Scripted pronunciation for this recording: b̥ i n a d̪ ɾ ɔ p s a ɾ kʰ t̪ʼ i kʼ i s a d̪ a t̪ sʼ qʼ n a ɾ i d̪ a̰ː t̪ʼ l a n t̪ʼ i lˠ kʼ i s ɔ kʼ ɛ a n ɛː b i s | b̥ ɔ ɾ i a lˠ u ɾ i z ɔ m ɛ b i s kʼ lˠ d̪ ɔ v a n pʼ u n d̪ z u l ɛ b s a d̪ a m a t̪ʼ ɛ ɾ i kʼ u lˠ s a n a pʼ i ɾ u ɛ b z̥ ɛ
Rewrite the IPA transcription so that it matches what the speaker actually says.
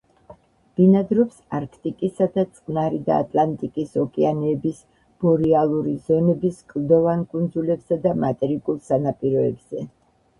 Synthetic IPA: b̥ i n a d̪ ɾ ɔ p s a ɾ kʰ t̪ʼ i kʼ i s a d̪ a t̪ sʼ qʼ n a ɾ i d̪ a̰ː t̪ʼ l a n t̪ʼ i kʼ i s ɔ kʼ ɛ a n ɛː b i s | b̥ ɔ ɾ i a lˠ u ɾ i z ɔ n ɛ b i s kʼ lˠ d̪ ɔ v a n kʼ u n d̪ z u l ɛ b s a d̪ a m a t̪ʼ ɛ ɾ i kʼ u lˠ s a n a pʼ i ɾ ɔ ɛ b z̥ ɛ